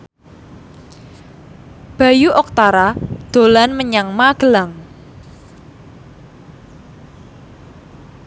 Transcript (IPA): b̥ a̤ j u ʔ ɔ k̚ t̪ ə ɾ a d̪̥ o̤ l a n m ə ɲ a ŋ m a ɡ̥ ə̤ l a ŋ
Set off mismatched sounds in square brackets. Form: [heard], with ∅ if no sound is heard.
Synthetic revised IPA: b̥ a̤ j u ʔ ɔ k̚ t̪ [a] ɾ a d̪̥ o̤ l a n m ə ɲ a ŋ m a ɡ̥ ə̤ l a ŋ